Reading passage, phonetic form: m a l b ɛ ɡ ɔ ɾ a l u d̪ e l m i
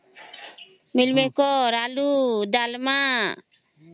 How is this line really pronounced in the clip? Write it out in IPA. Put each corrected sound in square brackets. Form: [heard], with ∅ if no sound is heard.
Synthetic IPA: m [i] l [m] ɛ [k] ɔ ɾ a l u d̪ [a] l m [a]

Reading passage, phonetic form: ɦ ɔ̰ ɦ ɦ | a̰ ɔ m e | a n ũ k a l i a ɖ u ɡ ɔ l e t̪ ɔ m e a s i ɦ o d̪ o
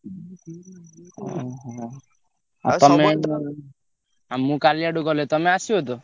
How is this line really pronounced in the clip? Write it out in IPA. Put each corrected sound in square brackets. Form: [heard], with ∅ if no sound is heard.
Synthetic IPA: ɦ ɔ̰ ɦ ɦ | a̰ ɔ m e | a [m] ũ k a l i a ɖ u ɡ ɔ l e t̪ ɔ m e a s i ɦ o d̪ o

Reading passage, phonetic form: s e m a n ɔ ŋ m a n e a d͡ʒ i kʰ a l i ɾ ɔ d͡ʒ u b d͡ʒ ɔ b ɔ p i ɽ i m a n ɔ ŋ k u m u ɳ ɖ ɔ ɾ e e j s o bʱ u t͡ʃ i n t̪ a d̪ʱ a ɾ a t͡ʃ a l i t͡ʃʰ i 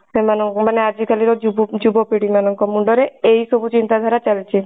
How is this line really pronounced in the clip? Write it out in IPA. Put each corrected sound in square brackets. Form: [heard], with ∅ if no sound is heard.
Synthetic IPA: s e m a n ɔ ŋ m a n e a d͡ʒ i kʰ a l i ɾ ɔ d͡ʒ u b d͡ʒ [u] b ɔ p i ɽ i m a n ɔ ŋ k [ɔ] m u ɳ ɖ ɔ ɾ e e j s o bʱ u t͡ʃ i n t̪ a d̪ʱ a ɾ a t͡ʃ a l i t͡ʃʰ i

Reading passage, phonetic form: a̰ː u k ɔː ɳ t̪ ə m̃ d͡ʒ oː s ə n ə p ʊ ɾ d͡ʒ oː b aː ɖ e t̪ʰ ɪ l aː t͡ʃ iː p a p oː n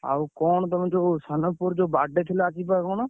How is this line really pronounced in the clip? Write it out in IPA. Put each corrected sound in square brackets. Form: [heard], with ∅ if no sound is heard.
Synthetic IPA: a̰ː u k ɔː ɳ t̪ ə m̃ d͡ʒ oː s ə n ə p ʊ ɾ d͡ʒ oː b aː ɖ e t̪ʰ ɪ l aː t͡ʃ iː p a [k] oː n

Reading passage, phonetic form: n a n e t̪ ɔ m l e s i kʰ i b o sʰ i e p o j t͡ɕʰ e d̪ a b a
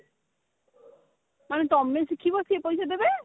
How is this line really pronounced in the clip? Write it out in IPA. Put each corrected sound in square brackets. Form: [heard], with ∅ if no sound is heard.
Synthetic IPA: [m] a n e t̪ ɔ m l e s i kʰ i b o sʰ i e p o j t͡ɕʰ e d̪ [e] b [e]

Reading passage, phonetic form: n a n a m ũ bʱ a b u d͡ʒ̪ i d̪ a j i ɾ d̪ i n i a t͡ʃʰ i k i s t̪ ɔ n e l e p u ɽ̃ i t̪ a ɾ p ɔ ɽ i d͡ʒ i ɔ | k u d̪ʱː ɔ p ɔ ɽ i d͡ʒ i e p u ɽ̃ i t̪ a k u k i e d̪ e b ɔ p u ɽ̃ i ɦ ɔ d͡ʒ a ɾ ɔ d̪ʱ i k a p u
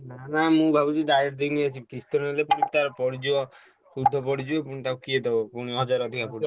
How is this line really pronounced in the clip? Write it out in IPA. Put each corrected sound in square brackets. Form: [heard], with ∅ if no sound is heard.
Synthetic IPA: n a n a m ũ bʱ a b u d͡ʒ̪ i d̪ a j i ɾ d̪ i n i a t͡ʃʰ i k i s t̪ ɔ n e l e p u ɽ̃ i t̪ a ɾ p ɔ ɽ i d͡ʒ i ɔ | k u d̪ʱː ɔ p ɔ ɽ i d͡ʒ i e p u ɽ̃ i t̪ a k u k i e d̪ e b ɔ p u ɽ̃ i ɦ ɔ d͡ʒ a ɾ ɔ d̪ʱ i k a p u

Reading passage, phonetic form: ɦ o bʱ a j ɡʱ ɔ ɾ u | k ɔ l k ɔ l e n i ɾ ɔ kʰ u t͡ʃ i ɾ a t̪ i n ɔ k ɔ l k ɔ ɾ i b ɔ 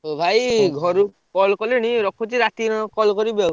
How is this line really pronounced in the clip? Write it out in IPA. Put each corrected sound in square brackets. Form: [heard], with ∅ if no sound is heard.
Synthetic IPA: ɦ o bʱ a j ɡʱ ɔ ɾ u | k ɔ l k ɔ l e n i ɾ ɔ kʰ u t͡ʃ i ɾ a t̪ i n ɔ k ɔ l k ɔ ɾ i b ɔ

